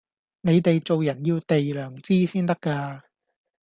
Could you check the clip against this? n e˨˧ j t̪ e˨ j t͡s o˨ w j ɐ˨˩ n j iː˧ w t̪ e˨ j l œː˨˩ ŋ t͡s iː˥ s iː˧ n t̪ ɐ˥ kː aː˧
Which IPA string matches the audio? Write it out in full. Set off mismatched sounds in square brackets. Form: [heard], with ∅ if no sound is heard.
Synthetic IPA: n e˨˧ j t̪ e˨ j t͡s o˨ w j ɐ˨˩ n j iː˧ w t̪ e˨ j l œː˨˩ ŋ t͡s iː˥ s [iː˥] n t̪ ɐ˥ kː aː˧